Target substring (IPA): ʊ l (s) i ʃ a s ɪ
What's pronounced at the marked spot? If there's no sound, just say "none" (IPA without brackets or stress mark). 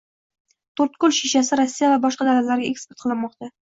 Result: ʃ